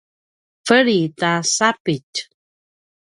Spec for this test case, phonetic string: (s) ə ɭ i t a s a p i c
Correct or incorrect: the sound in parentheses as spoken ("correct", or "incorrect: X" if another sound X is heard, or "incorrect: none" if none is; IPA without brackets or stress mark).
incorrect: f